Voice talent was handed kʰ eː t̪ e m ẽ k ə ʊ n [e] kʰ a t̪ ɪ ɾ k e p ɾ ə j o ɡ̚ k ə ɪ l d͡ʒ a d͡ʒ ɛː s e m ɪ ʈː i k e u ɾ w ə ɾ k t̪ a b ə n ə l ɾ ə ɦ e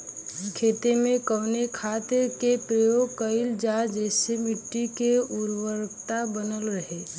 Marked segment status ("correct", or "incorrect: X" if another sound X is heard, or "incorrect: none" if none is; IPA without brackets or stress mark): correct